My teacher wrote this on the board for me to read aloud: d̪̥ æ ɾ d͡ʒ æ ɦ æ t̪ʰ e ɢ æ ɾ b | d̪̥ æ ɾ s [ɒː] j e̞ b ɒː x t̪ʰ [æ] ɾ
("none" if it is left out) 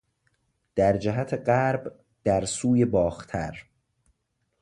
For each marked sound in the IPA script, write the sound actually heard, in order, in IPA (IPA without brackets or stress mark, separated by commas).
uː, æ